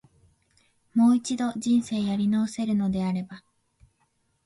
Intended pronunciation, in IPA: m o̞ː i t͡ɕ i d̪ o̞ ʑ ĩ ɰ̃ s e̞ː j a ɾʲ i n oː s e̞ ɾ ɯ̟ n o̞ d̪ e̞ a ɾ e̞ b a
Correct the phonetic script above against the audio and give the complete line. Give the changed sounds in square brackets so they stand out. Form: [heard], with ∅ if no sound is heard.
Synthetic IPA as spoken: m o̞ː i t͡ɕ i d̪ o̞ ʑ ĩ ɰ̃ s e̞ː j a ɾʲ i n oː s e̞ ɾ ɯ̟ n o̞ d̪ e̞ a ɾ e̞ b a